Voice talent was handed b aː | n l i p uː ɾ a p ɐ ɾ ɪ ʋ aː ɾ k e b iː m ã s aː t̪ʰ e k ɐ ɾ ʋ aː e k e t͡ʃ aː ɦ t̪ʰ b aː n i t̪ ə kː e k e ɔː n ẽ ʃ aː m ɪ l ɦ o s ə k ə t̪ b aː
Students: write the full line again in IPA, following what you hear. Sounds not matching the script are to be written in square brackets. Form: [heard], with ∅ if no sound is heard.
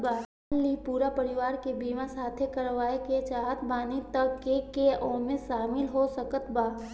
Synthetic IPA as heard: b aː | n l i p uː ɾ a p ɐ ɾ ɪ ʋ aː ɾ k e b iː m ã s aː t̪ʰ e k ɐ ɾ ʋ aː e k e t͡ʃ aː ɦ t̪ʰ b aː n i t̪ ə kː e k e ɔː [m] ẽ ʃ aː m ɪ l ɦ o s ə k ə t̪ b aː